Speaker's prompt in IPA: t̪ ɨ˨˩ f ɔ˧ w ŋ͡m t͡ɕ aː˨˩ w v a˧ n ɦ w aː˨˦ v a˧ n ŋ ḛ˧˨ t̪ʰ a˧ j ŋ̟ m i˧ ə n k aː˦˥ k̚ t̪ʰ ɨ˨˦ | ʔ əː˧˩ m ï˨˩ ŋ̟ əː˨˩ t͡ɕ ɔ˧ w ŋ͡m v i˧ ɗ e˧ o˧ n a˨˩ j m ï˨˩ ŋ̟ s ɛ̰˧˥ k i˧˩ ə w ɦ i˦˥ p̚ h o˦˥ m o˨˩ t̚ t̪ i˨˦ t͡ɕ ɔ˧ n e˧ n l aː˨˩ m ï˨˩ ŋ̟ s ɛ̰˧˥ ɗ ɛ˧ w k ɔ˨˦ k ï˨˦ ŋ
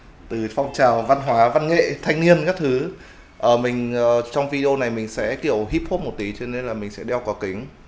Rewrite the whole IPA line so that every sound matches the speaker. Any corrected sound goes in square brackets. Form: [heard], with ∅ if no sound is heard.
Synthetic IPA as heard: t̪ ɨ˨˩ f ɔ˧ w ŋ͡m t͡ɕ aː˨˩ w v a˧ n ɦ w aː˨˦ v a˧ n ŋ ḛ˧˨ t̪ʰ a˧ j ŋ̟ [n] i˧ ə n k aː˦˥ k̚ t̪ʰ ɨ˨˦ | ʔ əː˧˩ m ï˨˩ ŋ̟ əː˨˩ t͡ɕ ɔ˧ w ŋ͡m v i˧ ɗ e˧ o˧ n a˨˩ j m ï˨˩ ŋ̟ s ɛ̰˧˥ k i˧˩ ə w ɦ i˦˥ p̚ h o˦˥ m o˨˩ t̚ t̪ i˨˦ t͡ɕ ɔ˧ n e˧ n l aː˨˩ m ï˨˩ ŋ̟ s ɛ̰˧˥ ɗ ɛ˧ w k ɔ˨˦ k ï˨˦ ŋ